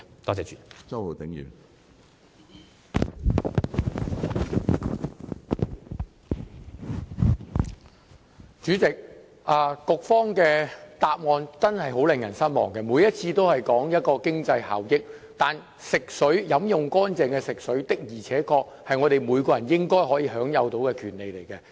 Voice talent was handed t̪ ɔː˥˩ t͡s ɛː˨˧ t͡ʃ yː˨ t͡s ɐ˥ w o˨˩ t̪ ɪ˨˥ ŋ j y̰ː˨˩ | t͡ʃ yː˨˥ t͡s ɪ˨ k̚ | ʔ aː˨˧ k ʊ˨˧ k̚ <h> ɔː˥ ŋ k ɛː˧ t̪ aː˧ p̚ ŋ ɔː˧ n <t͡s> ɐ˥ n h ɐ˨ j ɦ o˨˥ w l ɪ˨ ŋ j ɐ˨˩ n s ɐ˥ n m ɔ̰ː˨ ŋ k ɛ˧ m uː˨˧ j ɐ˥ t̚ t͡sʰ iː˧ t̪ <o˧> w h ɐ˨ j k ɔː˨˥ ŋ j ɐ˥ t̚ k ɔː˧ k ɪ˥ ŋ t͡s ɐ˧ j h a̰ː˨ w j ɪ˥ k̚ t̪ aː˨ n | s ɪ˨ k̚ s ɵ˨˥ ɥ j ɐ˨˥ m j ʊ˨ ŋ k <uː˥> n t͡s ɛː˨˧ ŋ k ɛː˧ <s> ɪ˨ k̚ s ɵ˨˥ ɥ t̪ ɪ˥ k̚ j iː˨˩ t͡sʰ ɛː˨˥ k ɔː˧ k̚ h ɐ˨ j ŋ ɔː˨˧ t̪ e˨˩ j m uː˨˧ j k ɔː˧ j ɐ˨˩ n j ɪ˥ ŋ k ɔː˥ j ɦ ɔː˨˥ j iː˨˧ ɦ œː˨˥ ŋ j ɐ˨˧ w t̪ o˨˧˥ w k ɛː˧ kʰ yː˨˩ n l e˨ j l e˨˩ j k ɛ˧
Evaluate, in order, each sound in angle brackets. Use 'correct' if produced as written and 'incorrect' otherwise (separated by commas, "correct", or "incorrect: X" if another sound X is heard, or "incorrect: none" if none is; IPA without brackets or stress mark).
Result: incorrect: f, correct, incorrect: o˥, incorrect: ɔː˥, correct